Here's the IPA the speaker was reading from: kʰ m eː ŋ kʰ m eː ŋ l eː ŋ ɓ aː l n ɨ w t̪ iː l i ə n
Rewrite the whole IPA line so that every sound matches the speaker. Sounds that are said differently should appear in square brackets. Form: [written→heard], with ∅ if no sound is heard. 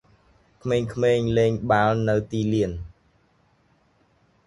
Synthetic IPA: kʰ m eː ŋ kʰ m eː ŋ l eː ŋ ɓ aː l n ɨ w t̪ iː l i ə n